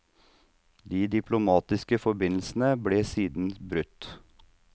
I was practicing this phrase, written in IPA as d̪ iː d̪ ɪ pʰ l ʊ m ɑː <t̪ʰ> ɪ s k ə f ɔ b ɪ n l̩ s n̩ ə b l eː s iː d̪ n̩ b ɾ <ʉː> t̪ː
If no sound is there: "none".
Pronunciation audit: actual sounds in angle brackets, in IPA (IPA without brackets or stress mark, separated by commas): t̪, ʉ